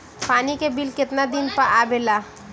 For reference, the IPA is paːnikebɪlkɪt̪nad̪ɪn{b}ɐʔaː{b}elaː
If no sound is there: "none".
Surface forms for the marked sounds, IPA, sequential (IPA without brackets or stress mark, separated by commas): p, b